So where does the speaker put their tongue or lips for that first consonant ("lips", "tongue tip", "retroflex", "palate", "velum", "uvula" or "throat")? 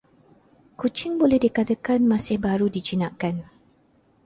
velum